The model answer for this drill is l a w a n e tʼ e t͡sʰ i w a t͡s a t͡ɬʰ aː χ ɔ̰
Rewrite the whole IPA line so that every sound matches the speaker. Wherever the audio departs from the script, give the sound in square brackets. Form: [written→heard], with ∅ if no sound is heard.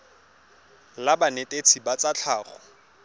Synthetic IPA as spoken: l a [w→b] a n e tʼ e t͡sʰ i [w→b] a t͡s a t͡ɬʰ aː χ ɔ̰